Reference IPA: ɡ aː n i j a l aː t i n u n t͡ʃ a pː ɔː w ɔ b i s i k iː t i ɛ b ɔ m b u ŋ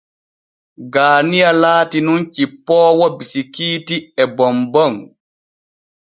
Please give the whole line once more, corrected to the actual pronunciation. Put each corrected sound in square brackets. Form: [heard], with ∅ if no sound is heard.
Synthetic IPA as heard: ɡ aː n i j a l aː t i n u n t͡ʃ [i] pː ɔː w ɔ b i s i k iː t i ɛ b ɔ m b [ɔ] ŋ